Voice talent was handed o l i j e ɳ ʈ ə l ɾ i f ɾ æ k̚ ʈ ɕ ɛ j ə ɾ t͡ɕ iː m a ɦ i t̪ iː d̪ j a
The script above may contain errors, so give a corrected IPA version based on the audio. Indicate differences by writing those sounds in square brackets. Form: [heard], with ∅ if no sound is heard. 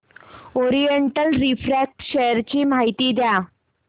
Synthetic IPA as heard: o [ɾ] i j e ɳ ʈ ə l ɾ i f ɾ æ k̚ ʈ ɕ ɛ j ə ɾ t͡ɕ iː m a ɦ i t̪ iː d̪ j a